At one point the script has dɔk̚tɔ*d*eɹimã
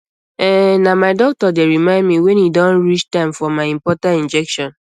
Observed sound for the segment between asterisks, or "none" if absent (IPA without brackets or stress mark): d